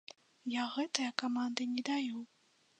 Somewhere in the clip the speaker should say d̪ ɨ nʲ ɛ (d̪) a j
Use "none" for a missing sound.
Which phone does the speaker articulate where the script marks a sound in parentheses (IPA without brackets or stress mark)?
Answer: d̪